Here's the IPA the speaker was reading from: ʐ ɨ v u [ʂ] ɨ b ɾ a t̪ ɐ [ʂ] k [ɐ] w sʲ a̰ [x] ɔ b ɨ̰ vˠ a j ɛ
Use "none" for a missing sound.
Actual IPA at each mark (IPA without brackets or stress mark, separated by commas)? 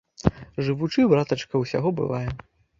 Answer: t͡ʂ, t͡ʂ, ɐ, ɣ